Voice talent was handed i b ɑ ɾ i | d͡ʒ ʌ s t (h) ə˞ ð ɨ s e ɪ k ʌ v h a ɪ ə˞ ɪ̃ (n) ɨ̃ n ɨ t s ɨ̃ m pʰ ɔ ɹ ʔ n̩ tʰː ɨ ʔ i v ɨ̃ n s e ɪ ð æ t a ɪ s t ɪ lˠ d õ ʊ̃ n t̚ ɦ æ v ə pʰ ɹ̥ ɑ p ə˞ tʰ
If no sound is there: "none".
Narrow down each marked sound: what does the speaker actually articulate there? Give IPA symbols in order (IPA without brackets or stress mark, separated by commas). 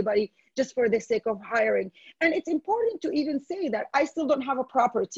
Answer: f, ŋ